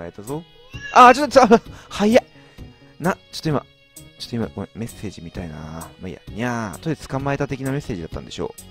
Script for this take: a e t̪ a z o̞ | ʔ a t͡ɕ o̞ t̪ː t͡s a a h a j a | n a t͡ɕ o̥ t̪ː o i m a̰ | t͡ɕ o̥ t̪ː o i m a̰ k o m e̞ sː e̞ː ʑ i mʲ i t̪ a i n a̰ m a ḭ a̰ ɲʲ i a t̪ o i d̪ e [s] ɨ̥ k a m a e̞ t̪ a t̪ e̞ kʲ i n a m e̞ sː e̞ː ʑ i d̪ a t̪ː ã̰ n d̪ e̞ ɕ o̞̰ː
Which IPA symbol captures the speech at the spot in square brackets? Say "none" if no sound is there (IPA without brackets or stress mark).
t͡s